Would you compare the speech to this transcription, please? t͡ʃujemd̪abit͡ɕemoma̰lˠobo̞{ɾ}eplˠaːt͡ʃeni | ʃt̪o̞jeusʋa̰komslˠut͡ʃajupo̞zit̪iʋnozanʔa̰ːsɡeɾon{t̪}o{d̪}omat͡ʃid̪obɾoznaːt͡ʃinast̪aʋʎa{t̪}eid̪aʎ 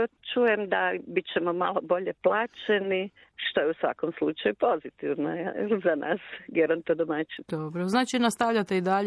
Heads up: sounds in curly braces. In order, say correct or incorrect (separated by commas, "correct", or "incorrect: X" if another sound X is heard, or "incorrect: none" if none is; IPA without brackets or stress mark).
incorrect: ʎ, correct, correct, correct